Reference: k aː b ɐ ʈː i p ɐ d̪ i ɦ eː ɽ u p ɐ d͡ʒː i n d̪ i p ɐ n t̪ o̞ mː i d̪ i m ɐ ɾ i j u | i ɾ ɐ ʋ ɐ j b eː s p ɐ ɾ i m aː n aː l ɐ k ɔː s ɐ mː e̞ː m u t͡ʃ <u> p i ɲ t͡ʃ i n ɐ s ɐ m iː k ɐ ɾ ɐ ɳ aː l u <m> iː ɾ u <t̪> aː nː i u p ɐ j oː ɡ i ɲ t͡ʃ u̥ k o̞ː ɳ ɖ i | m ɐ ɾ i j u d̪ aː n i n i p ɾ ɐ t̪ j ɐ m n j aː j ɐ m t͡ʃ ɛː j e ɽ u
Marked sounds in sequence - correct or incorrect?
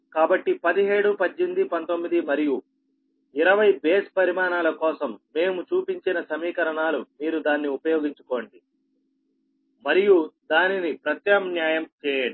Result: incorrect: uː, correct, incorrect: d̪

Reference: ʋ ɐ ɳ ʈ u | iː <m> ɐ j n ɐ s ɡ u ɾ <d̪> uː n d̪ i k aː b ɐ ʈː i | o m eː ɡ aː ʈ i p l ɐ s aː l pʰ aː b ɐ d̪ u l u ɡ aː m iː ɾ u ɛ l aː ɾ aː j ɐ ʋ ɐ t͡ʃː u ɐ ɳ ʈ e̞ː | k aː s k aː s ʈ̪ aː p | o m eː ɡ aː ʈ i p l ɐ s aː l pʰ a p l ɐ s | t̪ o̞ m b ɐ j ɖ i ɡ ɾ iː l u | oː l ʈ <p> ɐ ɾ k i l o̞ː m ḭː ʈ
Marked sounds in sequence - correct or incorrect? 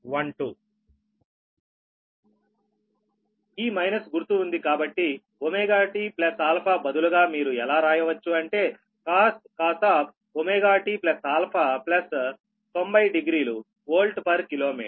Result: correct, incorrect: t̪, correct

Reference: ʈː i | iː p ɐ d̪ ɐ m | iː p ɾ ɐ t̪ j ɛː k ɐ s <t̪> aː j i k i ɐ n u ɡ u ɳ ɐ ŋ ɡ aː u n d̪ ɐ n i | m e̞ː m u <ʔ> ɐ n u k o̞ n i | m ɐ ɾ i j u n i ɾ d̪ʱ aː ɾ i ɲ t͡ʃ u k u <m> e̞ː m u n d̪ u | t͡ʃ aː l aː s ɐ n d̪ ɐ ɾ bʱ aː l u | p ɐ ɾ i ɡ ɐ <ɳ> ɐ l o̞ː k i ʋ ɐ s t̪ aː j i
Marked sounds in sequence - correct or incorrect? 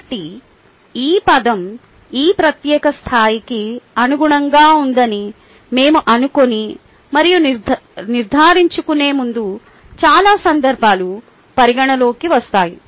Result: incorrect: t̪ʰ, correct, incorrect: n, correct

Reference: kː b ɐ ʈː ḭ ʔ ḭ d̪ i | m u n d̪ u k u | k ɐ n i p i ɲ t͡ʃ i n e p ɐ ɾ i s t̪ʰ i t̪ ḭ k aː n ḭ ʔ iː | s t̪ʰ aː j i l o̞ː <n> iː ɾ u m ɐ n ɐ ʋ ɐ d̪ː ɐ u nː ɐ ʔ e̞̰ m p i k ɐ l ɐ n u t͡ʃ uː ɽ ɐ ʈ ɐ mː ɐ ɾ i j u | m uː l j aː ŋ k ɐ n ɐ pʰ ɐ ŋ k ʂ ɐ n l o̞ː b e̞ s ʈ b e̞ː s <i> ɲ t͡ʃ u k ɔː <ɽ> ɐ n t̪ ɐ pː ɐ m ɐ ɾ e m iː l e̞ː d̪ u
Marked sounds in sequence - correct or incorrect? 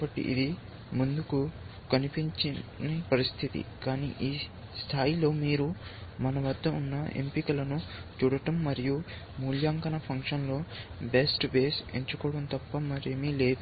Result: incorrect: m, incorrect: e, correct

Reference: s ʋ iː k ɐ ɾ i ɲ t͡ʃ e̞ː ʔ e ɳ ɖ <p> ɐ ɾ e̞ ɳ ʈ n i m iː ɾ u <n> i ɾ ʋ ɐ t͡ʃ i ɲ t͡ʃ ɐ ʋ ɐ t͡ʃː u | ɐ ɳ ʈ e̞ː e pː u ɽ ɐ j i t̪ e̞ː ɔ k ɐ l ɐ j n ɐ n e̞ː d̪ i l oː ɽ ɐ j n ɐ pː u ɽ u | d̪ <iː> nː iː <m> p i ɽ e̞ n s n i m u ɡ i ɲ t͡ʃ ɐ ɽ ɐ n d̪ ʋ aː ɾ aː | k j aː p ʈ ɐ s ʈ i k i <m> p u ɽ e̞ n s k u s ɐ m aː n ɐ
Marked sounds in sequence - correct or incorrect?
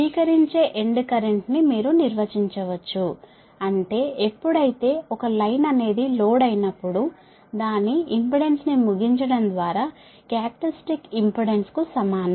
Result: incorrect: k, correct, incorrect: aː, correct, correct

